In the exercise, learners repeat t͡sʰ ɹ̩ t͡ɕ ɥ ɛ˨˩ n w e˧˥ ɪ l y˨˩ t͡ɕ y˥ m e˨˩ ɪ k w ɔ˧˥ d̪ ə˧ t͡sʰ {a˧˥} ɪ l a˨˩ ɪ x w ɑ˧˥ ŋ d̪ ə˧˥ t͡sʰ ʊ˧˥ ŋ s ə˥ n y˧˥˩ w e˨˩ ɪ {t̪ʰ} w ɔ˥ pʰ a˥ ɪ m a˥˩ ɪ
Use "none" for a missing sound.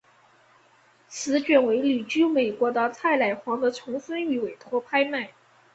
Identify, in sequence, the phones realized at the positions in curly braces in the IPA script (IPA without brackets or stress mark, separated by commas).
a˥˩, t̪ʰ